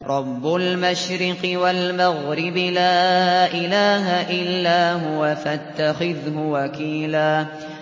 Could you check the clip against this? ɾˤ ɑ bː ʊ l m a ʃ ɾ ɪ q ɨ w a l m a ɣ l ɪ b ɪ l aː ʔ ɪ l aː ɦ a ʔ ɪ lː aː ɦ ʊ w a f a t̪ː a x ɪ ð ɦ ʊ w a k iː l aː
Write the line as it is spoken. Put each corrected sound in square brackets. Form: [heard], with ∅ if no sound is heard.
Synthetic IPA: ɾˤ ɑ bː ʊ l m a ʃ ɾ ɪ q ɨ w a l m a ɣ [ɾ] ɪ b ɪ l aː ʔ ɪ l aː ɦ a ʔ ɪ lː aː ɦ ʊ w a f a t̪ː a x ɪ ð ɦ ʊ w a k iː l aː